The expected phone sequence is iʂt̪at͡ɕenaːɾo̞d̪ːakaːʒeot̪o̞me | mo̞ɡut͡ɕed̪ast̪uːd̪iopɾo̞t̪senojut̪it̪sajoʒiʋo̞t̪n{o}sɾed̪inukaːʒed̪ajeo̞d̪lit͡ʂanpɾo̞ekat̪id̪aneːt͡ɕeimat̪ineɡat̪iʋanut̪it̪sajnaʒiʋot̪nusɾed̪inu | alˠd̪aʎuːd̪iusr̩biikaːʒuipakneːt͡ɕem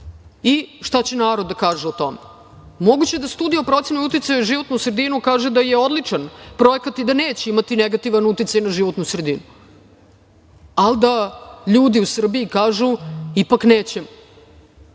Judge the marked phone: incorrect: u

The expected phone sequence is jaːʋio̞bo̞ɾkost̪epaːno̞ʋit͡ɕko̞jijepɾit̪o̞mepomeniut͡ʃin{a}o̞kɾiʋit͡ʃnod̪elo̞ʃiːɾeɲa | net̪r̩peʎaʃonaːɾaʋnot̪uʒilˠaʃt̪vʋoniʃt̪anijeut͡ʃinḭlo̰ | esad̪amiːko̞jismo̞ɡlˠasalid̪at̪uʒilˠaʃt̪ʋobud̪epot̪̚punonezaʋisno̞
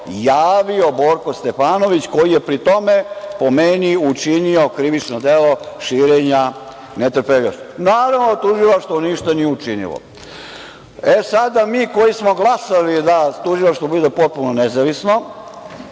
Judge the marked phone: incorrect: i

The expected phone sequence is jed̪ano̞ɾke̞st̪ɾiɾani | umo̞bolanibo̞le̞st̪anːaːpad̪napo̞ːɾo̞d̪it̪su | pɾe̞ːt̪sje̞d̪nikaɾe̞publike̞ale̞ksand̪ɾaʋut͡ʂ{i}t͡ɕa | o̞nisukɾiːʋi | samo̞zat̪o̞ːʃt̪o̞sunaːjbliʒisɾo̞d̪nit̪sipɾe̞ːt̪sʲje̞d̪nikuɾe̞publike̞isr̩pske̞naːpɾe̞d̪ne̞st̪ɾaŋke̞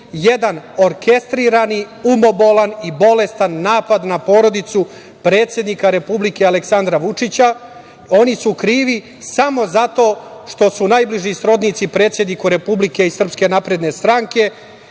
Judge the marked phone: correct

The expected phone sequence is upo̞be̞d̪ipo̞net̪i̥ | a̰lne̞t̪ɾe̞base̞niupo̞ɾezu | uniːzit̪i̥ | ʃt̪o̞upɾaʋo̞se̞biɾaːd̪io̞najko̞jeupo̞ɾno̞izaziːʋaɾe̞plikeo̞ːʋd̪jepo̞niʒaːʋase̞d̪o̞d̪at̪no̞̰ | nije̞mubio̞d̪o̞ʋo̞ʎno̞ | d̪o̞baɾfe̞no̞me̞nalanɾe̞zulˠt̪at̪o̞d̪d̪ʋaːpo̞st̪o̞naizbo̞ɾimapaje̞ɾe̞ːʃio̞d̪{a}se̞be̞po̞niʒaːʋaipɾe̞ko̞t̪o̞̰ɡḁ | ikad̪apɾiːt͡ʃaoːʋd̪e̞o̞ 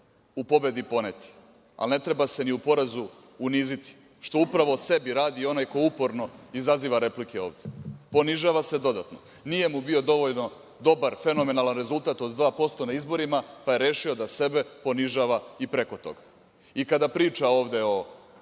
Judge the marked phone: correct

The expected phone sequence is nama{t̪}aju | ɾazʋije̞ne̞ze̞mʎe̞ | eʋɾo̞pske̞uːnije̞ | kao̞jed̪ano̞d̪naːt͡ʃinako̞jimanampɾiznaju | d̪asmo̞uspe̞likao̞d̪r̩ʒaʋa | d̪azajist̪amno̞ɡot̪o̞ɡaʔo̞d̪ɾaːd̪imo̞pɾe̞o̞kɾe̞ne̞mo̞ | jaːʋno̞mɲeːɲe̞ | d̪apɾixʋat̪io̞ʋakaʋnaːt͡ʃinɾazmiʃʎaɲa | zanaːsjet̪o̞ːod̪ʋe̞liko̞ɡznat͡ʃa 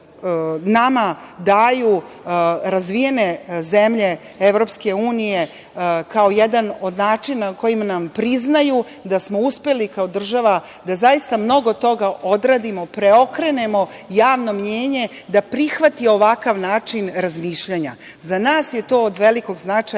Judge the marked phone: incorrect: d̪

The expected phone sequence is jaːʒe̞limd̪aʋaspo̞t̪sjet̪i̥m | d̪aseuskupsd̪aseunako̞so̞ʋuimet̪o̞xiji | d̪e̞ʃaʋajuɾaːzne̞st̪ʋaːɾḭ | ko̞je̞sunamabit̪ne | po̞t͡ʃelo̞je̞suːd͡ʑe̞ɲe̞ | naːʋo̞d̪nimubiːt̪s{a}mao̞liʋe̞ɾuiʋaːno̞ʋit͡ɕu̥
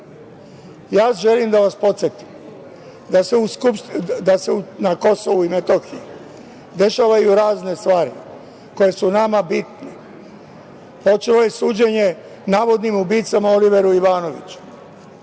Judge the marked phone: correct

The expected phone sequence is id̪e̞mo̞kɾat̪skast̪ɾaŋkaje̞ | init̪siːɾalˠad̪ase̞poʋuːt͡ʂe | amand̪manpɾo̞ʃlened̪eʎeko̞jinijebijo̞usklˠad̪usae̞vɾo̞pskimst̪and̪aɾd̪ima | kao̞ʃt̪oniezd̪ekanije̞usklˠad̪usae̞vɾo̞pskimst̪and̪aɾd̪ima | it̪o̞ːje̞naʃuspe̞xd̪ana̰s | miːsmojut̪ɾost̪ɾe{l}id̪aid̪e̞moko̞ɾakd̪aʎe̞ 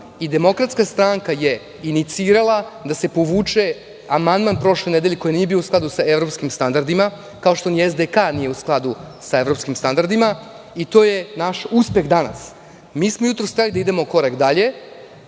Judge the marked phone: correct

